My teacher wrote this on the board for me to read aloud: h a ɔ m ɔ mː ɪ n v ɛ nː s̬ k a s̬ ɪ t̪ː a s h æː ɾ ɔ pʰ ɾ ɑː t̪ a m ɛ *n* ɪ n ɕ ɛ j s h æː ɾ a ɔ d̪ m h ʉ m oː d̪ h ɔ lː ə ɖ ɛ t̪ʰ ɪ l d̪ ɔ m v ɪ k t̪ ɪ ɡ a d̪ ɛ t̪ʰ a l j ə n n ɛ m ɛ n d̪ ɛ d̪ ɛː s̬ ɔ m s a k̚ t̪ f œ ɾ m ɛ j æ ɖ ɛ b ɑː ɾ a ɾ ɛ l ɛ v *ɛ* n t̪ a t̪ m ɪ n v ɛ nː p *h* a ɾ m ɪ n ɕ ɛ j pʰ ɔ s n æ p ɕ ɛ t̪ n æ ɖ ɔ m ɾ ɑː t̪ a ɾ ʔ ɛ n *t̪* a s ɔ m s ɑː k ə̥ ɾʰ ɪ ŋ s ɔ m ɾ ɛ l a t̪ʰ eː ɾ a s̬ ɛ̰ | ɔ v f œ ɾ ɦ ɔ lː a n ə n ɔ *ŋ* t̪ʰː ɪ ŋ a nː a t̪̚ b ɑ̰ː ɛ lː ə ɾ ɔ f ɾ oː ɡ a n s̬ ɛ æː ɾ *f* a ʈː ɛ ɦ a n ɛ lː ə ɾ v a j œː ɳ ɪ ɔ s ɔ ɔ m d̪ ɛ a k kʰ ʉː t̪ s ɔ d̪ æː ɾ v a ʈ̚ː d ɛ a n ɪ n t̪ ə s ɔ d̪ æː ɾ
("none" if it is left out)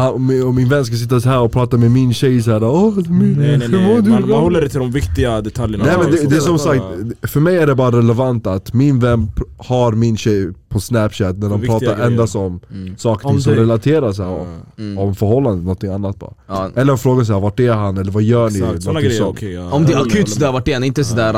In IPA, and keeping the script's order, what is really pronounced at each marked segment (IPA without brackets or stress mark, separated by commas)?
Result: m, a, h, d̪, n, v